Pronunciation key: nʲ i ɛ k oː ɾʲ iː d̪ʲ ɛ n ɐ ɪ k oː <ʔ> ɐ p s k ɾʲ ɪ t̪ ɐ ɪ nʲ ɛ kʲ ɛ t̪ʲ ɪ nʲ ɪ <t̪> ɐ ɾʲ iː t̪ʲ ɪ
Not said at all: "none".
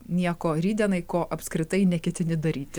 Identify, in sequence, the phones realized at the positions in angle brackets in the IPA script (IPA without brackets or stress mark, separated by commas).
ʔ, d̪